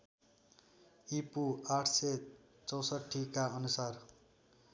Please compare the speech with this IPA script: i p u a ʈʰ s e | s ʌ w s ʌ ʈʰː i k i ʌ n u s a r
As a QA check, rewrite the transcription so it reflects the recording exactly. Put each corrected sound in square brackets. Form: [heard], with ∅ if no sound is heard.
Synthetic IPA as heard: i p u a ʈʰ s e | [t͡s] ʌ w s ʌ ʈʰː i k [a] ʌ n u s a r